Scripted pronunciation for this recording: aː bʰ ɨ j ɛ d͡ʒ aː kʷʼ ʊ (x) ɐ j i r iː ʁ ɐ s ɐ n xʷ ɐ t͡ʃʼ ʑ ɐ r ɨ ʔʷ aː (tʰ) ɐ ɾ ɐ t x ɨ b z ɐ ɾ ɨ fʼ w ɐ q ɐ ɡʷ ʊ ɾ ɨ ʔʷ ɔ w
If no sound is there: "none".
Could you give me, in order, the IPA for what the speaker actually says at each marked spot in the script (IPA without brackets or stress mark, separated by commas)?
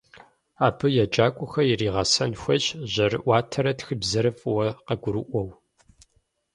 x, tʰ